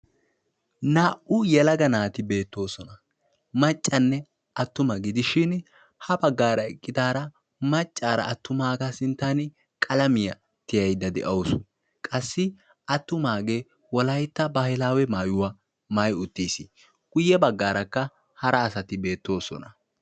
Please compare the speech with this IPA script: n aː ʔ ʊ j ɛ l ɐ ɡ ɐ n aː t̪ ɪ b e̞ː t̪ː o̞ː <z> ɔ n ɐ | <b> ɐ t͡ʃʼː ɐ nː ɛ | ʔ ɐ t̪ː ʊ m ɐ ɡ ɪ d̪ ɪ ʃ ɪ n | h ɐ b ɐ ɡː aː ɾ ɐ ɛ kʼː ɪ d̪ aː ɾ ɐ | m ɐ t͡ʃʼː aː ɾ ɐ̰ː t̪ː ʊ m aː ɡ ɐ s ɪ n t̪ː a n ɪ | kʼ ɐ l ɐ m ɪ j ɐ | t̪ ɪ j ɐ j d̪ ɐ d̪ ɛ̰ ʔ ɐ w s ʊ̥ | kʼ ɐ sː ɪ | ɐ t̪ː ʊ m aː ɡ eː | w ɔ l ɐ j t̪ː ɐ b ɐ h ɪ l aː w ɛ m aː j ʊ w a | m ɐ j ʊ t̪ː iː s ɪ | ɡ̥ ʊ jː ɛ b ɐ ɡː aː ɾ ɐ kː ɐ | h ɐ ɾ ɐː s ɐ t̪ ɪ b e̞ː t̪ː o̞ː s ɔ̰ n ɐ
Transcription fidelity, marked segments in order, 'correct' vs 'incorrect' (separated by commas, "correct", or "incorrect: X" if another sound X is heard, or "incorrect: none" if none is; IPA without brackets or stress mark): incorrect: s, incorrect: m